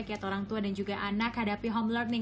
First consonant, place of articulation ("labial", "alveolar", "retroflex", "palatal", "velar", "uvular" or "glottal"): velar